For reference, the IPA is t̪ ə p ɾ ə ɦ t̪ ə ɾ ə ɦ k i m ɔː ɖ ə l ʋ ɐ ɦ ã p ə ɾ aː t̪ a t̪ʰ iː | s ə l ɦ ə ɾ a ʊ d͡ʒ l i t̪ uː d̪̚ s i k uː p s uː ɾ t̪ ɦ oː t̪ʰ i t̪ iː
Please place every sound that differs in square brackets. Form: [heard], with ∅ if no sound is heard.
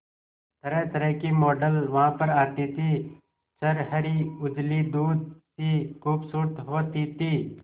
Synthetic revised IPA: t̪ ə [∅] ɾ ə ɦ t̪ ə ɾ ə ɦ k i m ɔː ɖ ə l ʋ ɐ ɦ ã p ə ɾ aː t̪ [i] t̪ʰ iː | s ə [ɾ] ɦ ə ɾ [i] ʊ d͡ʒ l i [d̪] uː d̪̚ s i k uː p s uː ɾ t̪ ɦ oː [t̪] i t̪ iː